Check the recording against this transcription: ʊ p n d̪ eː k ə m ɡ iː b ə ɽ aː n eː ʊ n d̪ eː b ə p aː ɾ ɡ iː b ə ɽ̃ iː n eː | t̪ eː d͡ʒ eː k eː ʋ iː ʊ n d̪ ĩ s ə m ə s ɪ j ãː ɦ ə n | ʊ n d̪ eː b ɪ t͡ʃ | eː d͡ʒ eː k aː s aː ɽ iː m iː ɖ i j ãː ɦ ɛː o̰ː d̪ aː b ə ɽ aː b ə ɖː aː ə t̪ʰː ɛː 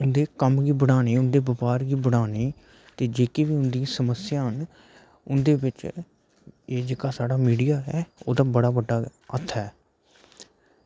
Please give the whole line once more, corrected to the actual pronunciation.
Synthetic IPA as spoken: ʊ n d̪ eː k ə m ɡ iː b ə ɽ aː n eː ʊ n d̪ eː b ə p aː ɾ ɡ iː b ə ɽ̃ aː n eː | t̪ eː d͡ʒ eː k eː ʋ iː ʊ n d̪ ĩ s ə m ə s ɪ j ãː ɦ ə n | ʊ n d̪ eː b ɪ t͡ʃ | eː d͡ʒ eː k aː s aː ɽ aː m iː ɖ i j aː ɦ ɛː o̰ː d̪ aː b ə ɽ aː b ə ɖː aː ə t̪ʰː ɛː

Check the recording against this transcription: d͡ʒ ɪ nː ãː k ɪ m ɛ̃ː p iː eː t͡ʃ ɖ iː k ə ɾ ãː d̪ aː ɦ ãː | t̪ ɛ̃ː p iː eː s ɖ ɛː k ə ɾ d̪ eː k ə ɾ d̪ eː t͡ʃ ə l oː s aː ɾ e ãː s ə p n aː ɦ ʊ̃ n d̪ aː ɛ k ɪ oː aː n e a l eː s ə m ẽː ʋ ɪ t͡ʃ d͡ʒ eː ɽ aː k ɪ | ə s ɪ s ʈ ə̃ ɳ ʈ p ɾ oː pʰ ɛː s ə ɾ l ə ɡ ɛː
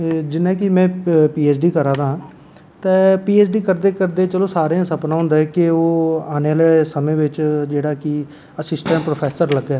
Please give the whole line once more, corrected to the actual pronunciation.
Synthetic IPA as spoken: d͡ʒ ɪ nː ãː k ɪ m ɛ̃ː p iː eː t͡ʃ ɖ iː k ə ɾ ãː d̪ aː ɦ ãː | t̪ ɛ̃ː p iː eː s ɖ iː k ə ɾ d̪ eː k ə ɾ d̪ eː t͡ʃ ə l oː s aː ɾ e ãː s ə p n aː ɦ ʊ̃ n d̪ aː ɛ k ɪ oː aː n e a l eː s ə m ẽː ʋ ɪ t͡ʃ d͡ʒ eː ɽ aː k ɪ | ə s ɪ s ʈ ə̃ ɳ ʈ p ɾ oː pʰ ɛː s ə ɾ l ə ɡ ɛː

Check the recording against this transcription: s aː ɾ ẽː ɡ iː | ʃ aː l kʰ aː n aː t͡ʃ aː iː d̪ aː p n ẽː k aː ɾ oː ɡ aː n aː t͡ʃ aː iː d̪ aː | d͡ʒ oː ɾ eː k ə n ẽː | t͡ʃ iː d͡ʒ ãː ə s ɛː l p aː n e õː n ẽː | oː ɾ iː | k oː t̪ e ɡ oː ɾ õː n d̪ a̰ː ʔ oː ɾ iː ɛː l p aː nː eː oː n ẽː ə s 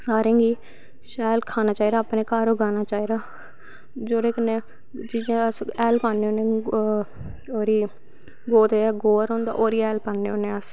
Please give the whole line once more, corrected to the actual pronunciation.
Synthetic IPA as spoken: s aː ɾ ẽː ɡ iː | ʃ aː l kʰ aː n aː t͡ʃ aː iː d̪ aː p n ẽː k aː ɾ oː ɡ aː n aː t͡ʃ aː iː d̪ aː | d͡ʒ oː ɾ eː k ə n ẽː | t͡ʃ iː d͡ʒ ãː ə s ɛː l p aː n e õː n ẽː | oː ɾ iː | ɡ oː t̪ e ɡ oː ɾ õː n d̪ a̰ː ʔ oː ɾ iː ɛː l p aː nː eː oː n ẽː ə s

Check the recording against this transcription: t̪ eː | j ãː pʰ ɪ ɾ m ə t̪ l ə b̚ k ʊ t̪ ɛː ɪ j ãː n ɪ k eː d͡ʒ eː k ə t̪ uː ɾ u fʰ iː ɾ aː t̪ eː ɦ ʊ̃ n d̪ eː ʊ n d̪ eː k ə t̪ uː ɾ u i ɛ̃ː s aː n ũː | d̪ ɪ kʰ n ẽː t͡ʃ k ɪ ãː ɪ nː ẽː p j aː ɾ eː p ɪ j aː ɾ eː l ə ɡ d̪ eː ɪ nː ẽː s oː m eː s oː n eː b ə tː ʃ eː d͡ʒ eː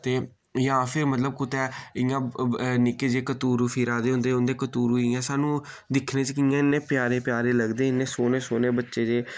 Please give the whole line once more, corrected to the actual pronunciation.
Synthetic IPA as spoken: t̪ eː | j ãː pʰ ɪ ɾ m ə t̪ l ə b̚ k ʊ t̪ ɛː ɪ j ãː n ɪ k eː d͡ʒ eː k ə t̪ uː ɾ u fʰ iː ɾ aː d̪ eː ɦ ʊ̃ n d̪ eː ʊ n d̪ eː k ə t̪ uː ɾ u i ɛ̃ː s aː n ũː | d̪ ɪ kʰ n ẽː t͡ʃ k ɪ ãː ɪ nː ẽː p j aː ɾ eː p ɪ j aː ɾ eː l ə ɡ d̪ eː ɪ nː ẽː s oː n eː s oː n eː b ə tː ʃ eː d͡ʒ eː

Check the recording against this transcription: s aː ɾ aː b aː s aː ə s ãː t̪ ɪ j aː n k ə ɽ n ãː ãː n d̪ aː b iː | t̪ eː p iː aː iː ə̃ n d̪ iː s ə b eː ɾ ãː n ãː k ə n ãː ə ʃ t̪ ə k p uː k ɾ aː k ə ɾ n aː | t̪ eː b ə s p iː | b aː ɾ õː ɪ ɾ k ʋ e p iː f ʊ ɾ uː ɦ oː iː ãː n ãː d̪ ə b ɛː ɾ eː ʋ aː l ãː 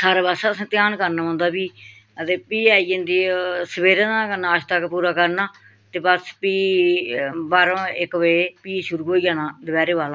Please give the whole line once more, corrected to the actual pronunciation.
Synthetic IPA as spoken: s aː ɾ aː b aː s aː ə s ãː t̪ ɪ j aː n k ə ɾ n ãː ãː n d̪ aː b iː | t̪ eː p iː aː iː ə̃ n d̪ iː s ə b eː ɾ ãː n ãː k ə n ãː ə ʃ t̪ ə k p uː ɾ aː k ə ɾ n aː | t̪ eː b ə s p iː | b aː ɾ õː ɪ k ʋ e p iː ʃ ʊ ɾ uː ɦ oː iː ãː n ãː d̪ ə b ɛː ɾ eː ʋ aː l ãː

